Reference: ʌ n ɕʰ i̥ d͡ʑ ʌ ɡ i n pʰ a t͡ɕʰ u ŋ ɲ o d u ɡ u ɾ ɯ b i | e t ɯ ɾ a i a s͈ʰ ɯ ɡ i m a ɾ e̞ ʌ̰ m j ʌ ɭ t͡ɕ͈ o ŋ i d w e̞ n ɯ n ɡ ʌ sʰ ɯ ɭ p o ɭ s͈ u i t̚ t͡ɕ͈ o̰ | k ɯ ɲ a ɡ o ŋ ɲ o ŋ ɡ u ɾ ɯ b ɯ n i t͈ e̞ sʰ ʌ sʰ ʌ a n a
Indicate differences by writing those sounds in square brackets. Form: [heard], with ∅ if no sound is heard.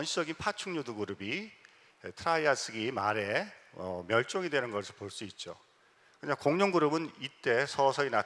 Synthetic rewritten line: ʌ n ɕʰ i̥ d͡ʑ ʌ ɡ i n pʰ a t͡ɕʰ u ŋ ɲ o d u ɡ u ɾ ɯ b i | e [tʰ] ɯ ɾ a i a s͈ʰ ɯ ɡ i m a ɾ e̞ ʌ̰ m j ʌ ɭ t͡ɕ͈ o ŋ i d w e̞ n ɯ n ɡ ʌ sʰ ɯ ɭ p o ɭ s͈ u i t̚ t͡ɕ͈ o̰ | k ɯ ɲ a [k] o ŋ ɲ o ŋ ɡ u ɾ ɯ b ɯ n i t͈ e̞ sʰ ʌ sʰ ʌ [i] n a